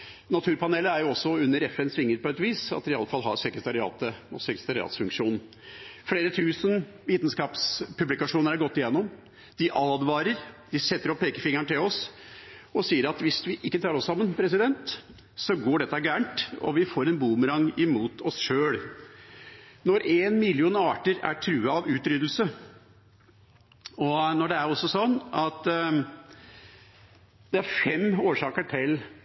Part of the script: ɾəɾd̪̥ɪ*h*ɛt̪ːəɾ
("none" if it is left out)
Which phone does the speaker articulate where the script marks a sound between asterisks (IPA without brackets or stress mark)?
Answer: s